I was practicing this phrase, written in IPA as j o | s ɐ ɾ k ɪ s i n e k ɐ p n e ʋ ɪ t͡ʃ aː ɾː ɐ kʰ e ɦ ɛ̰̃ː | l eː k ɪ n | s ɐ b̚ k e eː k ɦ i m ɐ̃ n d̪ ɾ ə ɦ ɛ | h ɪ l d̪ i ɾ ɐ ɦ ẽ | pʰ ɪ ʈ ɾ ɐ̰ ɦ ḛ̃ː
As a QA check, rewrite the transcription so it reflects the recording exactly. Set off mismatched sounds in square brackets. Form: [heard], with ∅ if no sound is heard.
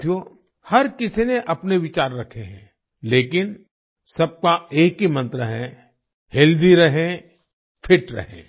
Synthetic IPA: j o | [h] ɐ ɾ k ɪ s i n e [ʔ] ɐ p n e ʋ ɪ t͡ʃ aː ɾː ɐ kʰ e ɦ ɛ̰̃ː | l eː k ɪ n | s ɐ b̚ k [a] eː k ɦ i m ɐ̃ n [t̪] ɾ ə ɦ ɛ | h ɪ l d̪ i ɾ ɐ ɦ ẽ | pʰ ɪ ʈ ɾ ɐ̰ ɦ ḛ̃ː